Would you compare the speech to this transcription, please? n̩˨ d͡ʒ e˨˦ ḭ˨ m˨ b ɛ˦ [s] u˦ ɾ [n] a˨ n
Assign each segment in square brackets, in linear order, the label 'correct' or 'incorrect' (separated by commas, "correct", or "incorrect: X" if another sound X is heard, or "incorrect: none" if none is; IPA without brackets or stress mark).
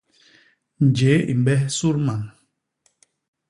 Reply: correct, incorrect: m